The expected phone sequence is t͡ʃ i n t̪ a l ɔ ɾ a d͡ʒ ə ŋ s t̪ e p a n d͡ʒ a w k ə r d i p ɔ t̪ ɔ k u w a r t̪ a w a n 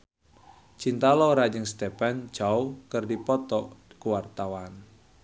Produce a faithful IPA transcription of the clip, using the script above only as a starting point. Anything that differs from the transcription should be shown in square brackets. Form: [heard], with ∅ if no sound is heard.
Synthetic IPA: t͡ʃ i n t̪ a l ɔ ɾ a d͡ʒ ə ŋ s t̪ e p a n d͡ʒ a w k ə r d i p ɔ t̪ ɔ k u w a r t̪ a w a n